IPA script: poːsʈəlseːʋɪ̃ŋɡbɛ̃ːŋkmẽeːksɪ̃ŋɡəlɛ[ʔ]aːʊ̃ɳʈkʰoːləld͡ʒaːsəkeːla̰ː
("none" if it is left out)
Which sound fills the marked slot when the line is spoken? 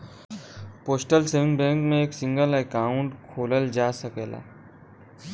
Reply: k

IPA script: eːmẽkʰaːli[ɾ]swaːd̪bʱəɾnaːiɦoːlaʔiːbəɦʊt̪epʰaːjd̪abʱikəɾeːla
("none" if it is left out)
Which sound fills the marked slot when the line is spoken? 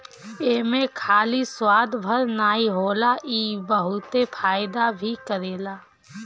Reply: none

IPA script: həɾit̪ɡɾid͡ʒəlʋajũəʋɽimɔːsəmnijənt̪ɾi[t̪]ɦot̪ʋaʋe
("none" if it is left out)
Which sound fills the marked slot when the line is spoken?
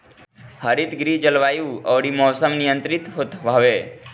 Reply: t̪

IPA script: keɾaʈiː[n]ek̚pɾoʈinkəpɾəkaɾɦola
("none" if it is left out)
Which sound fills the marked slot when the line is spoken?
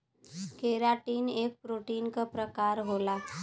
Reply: n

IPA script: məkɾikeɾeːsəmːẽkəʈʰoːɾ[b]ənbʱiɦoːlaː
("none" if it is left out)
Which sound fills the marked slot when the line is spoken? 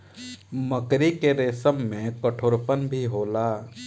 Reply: p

